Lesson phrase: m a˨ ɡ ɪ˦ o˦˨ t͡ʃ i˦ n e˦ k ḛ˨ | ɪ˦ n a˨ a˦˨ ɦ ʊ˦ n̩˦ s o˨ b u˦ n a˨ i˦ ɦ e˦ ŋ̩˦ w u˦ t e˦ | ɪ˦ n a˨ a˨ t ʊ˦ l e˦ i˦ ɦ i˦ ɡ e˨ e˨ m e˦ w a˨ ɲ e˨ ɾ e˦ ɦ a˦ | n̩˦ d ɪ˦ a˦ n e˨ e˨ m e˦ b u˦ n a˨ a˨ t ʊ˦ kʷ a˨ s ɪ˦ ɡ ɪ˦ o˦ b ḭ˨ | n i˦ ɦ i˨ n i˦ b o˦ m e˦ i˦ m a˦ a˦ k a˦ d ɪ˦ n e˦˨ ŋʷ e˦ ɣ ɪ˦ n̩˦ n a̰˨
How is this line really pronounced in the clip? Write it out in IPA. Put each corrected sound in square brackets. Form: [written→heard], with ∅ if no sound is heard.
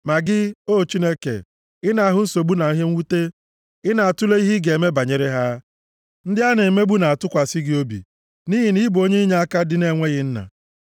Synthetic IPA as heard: m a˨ ɡ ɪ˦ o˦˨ t͡ʃ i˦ n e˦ k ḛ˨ | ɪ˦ n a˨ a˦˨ ɦ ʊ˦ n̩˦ s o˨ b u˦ n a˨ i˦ ɦ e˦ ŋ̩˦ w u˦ t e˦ | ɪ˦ n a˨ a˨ t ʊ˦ l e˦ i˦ ɦ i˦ ɡ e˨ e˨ m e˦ [w→b] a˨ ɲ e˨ ɾ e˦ ɦ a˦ | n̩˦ d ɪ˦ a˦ n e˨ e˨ m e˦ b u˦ n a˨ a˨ t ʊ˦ kʷ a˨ s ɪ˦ ɡ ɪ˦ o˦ b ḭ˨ | n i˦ ɦ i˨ n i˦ b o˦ [m→ɲ] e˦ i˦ [m→ɲ] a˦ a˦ k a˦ d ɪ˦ n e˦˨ ŋʷ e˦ ɣ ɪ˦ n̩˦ n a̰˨